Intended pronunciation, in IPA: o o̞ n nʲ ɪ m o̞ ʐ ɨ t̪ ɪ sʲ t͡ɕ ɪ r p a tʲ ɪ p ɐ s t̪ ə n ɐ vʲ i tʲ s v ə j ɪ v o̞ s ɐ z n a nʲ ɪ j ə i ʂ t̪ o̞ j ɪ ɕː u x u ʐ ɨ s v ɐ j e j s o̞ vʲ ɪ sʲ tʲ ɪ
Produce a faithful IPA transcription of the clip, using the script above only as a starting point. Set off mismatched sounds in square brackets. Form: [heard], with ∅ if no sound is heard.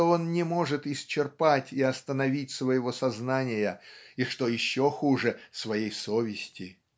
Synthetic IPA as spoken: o o̞ n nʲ ɪ m o̞ ʐ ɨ t̪ ɪ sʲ t͡ɕ ɪ r p a tʲ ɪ [∅] ɐ s t̪ ə n ɐ vʲ i tʲ s v ə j ɪ v o̞ s ɐ z n a nʲ ɪ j ə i ʂ t̪ o̞ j ɪ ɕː [o] x u ʐ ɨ s v ɐ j e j s o̞ vʲ ɪ sʲ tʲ ɪ